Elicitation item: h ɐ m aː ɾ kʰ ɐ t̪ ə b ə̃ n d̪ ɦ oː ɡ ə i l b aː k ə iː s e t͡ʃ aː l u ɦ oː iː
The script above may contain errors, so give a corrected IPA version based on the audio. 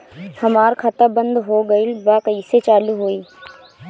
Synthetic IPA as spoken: h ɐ m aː ɾ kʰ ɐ t̪ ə b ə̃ n d̪ ɦ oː ɡ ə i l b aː k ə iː s e t͡ʃ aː l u ɦ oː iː